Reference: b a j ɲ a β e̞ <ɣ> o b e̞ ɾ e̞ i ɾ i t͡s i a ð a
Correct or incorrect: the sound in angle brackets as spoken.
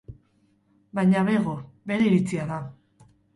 correct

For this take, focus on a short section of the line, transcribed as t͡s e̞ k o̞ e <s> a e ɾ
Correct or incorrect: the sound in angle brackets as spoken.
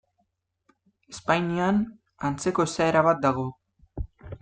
correct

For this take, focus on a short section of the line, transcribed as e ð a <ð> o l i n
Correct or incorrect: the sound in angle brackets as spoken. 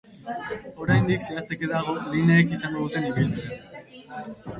incorrect: ɣ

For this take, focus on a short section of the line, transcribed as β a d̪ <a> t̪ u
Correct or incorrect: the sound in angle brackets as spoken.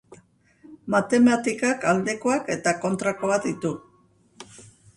incorrect: i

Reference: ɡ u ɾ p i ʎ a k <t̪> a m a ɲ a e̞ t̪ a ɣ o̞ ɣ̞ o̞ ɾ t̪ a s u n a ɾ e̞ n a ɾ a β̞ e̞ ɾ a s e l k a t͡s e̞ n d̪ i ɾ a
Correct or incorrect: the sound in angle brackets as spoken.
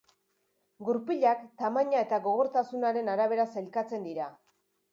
correct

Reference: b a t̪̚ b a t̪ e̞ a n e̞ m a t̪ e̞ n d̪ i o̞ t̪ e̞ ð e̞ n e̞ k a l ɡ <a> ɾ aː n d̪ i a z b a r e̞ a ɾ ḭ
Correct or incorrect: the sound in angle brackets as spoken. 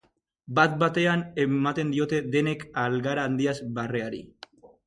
correct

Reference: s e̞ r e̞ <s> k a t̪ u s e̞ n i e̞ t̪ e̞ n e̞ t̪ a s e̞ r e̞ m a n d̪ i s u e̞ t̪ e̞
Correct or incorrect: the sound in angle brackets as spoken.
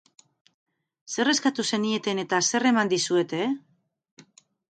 correct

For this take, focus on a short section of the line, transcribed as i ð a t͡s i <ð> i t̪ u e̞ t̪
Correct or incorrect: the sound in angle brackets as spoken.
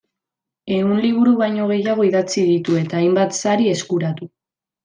correct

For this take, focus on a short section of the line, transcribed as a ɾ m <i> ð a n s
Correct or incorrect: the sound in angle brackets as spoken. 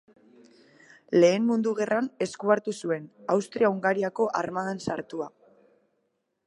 incorrect: a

